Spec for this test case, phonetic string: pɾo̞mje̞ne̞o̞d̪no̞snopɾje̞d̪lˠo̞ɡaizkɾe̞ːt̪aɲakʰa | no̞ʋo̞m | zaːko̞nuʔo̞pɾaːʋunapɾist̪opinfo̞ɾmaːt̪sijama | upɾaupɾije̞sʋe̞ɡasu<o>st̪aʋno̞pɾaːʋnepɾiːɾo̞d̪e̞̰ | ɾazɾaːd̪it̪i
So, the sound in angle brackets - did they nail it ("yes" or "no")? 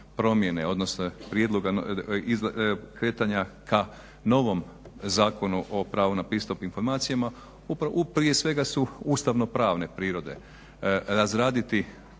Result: no